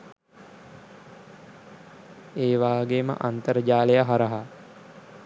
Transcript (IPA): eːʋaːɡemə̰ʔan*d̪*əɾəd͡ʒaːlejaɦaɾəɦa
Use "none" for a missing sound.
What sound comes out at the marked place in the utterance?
t̪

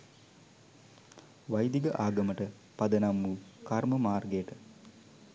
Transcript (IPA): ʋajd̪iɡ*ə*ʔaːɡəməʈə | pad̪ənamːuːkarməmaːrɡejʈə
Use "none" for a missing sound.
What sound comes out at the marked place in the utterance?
ə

